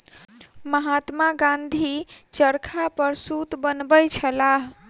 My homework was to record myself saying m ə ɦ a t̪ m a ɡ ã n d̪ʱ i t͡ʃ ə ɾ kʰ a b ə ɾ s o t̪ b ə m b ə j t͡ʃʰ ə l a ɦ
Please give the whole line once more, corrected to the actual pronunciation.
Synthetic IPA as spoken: m ə ɦ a t̪ m a ɡ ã n d̪ʱ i t͡ʃ ə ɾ kʰ a p ə ɾ s u t̪ b ə n b ə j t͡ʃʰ ə l a ɦ